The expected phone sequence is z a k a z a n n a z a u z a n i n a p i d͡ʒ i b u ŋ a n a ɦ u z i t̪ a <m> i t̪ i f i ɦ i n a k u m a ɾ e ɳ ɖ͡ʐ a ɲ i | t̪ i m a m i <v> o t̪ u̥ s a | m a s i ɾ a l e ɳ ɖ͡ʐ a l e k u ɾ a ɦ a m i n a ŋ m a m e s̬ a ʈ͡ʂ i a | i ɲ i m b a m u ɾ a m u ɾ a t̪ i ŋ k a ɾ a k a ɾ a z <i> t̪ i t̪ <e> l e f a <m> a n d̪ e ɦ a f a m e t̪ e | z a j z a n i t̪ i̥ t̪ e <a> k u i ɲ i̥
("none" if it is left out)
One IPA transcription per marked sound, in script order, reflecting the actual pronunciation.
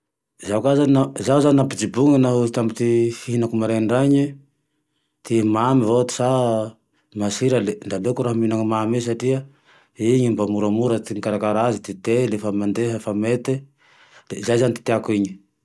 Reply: m, v, i, e, m, a

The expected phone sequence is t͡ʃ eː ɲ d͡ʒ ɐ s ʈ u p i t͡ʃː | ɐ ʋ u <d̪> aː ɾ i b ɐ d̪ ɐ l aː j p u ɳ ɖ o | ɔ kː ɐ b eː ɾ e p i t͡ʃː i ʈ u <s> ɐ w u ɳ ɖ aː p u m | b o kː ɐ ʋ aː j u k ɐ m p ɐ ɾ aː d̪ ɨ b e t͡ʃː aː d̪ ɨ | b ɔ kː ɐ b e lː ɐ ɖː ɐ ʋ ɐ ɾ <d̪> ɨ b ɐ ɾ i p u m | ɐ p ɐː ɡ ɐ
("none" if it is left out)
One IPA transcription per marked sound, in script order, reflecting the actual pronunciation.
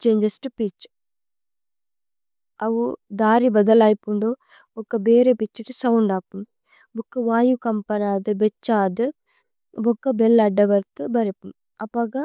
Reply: d̪, s, t̪

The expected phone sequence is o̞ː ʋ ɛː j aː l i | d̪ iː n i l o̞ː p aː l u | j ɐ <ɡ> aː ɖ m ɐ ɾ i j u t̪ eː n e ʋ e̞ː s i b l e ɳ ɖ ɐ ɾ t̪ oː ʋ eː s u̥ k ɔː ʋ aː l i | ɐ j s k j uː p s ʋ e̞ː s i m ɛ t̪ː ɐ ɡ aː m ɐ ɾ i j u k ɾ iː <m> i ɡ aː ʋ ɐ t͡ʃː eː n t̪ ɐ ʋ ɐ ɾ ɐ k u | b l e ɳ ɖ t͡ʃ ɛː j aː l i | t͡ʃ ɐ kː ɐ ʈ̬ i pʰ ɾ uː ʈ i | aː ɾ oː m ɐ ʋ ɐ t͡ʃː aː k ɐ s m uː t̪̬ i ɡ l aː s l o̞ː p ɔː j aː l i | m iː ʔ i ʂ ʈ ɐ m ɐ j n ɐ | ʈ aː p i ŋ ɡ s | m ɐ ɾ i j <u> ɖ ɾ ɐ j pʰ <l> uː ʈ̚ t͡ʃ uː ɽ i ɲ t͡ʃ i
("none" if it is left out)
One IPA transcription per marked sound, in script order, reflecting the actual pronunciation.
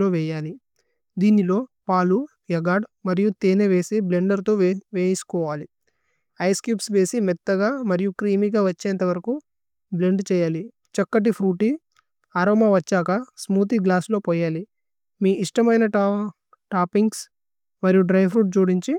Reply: ɡ, m, u, ɾ

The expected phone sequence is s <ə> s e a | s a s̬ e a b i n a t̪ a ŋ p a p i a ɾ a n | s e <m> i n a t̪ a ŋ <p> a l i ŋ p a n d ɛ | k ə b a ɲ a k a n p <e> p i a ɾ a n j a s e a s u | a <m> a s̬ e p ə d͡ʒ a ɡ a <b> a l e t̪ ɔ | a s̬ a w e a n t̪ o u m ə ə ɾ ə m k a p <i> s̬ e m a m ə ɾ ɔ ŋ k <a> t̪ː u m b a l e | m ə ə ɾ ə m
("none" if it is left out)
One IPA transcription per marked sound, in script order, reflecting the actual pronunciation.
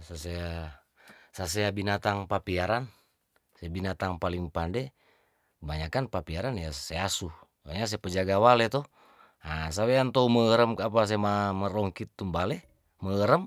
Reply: a, b, p, a, ɲ, w, a, i

